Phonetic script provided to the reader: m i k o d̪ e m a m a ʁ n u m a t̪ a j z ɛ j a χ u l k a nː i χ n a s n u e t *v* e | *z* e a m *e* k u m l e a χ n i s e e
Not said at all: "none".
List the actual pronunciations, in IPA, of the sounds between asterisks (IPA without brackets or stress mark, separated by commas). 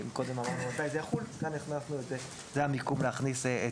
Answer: z, z, i